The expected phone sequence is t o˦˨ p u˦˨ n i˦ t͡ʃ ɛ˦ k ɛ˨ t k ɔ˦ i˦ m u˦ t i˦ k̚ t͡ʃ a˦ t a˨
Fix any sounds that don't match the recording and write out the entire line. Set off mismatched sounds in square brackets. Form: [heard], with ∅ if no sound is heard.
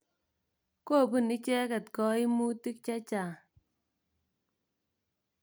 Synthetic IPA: [k] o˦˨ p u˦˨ n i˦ t͡ʃ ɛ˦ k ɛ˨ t k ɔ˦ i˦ m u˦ t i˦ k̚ t͡ʃ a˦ [t͡ʃ] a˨